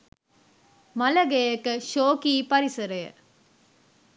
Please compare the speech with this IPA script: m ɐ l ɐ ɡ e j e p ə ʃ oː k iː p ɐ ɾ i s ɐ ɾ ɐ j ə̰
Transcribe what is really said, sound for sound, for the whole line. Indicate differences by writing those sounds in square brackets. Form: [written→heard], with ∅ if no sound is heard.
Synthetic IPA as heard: m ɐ l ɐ ɡ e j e [p→k] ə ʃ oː k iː p ɐ ɾ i s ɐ ɾ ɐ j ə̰